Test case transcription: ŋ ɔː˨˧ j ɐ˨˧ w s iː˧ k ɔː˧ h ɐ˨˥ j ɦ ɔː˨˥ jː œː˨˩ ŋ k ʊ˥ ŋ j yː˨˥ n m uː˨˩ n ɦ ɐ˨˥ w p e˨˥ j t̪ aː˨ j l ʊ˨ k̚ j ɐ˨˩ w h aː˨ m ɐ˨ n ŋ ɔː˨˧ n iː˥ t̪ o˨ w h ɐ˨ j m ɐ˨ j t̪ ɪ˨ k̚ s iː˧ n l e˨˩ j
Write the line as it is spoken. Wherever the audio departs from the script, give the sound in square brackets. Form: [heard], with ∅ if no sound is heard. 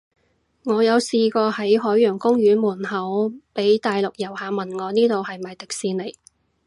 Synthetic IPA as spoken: ŋ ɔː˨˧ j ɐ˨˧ w s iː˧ k ɔː˧ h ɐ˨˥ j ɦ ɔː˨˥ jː œː˨˩ ŋ k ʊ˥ ŋ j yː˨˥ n m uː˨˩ n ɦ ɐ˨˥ w p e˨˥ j t̪ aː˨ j l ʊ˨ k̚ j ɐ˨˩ w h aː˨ m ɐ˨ n ŋ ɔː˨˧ n iː˥ t̪ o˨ w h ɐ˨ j m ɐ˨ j t̪ ɪ˨ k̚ s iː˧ n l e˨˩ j